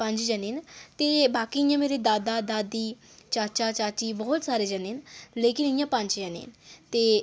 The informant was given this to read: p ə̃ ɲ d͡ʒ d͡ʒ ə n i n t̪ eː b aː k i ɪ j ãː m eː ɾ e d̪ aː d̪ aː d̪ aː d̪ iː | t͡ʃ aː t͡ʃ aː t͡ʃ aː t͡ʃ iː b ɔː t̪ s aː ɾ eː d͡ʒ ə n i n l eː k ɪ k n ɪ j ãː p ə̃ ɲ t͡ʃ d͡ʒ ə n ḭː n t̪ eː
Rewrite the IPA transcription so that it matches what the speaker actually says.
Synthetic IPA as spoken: p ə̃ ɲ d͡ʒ d͡ʒ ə n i n t̪ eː b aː k i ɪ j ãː m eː ɾ e d̪ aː d̪ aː d̪ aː d̪ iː | t͡ʃ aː t͡ʃ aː t͡ʃ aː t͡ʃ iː b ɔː t̪ s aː ɾ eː d͡ʒ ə n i n l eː k ɪ n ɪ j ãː p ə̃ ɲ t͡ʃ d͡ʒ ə n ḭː n t̪ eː

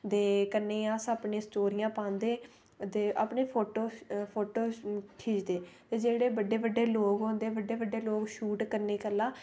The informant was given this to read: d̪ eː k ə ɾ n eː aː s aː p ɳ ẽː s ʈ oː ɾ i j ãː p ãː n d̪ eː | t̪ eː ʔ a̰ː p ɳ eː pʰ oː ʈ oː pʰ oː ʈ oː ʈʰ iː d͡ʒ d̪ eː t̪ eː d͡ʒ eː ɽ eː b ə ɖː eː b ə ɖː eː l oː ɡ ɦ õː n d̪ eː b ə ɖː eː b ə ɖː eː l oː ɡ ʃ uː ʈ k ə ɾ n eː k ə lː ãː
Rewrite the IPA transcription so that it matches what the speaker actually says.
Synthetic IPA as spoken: d̪ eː k ə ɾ n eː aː s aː p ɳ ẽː s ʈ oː ɾ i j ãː p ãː n d̪ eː | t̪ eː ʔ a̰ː p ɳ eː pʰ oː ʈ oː pʰ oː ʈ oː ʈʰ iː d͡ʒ d̪ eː t̪ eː d͡ʒ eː ɽ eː b ə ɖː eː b ə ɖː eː l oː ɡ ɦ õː n d̪ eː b ə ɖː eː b ə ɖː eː l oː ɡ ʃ uː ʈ k ə ɾ n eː k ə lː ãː

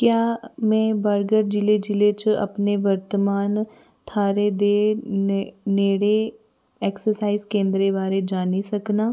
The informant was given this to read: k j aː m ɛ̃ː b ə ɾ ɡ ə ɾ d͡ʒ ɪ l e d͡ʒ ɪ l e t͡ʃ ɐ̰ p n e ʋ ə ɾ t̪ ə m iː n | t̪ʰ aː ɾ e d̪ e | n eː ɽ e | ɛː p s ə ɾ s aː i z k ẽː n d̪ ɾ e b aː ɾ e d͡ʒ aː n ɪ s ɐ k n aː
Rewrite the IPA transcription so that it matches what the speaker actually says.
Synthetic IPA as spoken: k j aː m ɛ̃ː b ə ɾ ɡ ə ɾ d͡ʒ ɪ l e d͡ʒ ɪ l e t͡ʃ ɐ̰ p n e ʋ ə ɾ t̪ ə m aː n | t̪ʰ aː ɾ e d̪ e | n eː ɽ e | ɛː k s ə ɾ s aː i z k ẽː n d̪ ɾ e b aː ɾ e d͡ʒ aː n i s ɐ k n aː

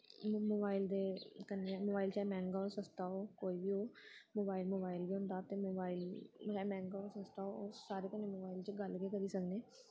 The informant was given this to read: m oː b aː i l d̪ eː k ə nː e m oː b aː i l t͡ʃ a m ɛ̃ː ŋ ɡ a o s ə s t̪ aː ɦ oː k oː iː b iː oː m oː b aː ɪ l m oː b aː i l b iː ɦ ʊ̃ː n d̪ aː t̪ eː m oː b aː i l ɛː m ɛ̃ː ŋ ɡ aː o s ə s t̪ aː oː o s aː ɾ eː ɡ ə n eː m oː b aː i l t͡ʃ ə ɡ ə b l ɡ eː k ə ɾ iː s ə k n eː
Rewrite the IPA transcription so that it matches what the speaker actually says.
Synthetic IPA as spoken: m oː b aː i l d̪ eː k ə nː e m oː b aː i l t͡ʃ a m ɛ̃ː ŋ ɡ a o s ə s t̪ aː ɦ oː k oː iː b iː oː m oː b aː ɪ l m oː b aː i l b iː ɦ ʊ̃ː n d̪ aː t̪ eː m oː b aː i l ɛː m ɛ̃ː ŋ ɡ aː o s ə s t̪ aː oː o s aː ɾ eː k ə n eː m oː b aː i l t͡ʃ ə ɡ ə l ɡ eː k ə ɾ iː s ə k n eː

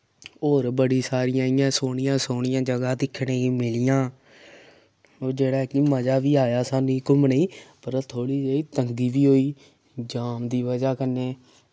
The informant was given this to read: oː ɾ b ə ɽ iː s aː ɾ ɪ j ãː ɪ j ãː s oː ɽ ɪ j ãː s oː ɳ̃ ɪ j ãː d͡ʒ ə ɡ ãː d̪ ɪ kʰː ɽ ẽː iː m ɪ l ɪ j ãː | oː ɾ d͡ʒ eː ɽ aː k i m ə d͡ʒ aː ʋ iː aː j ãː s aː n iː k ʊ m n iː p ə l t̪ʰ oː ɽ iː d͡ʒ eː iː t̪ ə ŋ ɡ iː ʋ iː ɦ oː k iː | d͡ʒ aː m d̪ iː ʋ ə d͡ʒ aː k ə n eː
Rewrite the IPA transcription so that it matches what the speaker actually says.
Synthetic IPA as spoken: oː ɾ b ə ɽ iː s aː ɾ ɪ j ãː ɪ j ãː s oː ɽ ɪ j ãː s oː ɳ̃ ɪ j ãː d͡ʒ ə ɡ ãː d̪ ɪ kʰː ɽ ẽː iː m ɪ l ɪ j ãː | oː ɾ d͡ʒ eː ɽ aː k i m ə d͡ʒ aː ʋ iː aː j aː s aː n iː k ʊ m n iː p ə ɾ t̪ʰ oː ɽ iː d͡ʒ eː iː t̪ ə ŋ ɡ iː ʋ iː ɦ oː iː | d͡ʒ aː m d̪ iː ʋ ə d͡ʒ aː k ə n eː

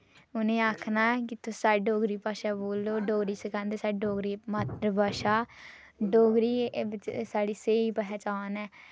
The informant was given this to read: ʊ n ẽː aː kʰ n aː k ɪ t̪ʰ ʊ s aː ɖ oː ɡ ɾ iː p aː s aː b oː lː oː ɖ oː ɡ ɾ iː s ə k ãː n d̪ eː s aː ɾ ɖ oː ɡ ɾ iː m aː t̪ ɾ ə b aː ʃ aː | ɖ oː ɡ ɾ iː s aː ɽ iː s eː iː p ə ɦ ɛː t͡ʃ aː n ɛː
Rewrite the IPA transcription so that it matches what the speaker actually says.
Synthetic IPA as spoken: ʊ n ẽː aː kʰ n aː k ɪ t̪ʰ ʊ s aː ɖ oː ɡ ɾ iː p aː ʃ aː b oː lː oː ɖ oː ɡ ɾ iː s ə k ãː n d̪ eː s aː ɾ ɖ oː ɡ ɾ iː m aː t̪ ɾ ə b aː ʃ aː | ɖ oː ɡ ɾ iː s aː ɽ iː s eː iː p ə ɦ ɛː t͡ʃ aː n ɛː

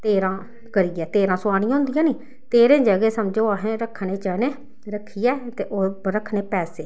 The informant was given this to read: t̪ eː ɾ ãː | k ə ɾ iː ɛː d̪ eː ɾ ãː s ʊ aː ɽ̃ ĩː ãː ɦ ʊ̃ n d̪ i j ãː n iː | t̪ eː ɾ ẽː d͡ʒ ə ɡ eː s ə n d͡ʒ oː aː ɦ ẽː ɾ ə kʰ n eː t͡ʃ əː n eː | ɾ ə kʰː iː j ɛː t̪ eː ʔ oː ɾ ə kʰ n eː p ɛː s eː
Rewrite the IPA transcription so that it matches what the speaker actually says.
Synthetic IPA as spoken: t̪ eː ɾ ãː | k ə ɾ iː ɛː t̪ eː ɾ ãː s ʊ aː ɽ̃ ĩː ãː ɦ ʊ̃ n d̪ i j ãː n iː | t̪ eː ɾ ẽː d͡ʒ ə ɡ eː s ə m d͡ʒ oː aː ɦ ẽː ɾ ə kʰ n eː t͡ʃ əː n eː | ɾ ə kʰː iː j ɛː t̪ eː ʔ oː ɾ ə kʰ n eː p ɛː s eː

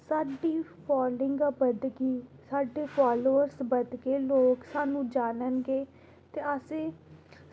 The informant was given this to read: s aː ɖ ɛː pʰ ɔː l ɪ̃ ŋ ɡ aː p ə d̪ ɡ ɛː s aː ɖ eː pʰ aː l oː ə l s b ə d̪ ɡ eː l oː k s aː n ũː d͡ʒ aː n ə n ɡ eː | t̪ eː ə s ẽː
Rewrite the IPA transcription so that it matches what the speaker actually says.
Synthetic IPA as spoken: s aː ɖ iː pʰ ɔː l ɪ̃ ŋ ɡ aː b ə d̪ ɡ iː s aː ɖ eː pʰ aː l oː ə ɾ s b ə d̪ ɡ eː l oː k s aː n ũː d͡ʒ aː n ə n ɡ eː | t̪ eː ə s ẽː

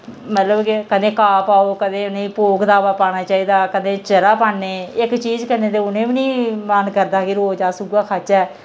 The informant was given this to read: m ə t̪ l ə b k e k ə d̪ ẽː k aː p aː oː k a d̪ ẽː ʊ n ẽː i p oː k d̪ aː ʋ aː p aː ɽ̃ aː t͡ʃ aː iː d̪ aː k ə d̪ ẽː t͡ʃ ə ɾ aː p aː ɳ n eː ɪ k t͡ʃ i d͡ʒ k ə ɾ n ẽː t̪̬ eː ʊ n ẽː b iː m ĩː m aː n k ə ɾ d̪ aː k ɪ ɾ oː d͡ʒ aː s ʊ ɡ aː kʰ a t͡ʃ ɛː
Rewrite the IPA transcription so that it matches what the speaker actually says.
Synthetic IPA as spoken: m ə t̪ l ə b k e k ə d̪ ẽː k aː p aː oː k ə d̪ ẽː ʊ n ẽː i p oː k d̪ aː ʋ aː p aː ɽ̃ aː t͡ʃ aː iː d̪ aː k ə d̪ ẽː t͡ʃ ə ɾ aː p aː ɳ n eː ɪ k t͡ʃ iː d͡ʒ k ə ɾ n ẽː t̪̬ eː ʊ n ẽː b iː n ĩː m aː n k ə ɾ d̪ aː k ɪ ɾ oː d͡ʒ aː s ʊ ɡ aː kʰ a t͡ʃ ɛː

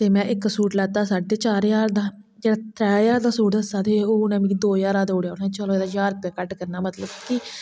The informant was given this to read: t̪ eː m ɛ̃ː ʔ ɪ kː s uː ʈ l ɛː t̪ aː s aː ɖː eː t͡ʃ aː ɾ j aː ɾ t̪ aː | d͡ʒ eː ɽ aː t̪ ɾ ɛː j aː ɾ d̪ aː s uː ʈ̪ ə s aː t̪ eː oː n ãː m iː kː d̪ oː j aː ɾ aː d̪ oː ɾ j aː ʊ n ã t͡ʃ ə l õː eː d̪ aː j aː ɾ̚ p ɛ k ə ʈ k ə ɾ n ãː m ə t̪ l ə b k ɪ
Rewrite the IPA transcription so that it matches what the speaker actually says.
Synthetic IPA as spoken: t̪ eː m ɛ̃ː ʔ ɪ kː s uː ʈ l ɛː t̪ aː s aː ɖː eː t͡ʃ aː ɾ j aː ɾ d̪ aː | d͡ʒ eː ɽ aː t̪ ɾ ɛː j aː ɾ d̪ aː s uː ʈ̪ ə s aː t̪ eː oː n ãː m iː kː d̪ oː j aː ɾ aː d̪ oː ɽ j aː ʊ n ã t͡ʃ ə l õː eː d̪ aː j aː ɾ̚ p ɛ k ə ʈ k ə ɾ n aː m ə t̪ l ə b k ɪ

